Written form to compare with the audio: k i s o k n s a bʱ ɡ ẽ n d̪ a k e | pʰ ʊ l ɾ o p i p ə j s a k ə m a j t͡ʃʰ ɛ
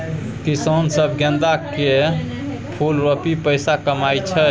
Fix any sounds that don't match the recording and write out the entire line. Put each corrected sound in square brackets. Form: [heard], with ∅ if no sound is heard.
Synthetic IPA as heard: k i s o [∅] n s [ə] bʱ ɡ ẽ n d̪ a k e | pʰ [u] l ɾ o p i p ə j s a k ə m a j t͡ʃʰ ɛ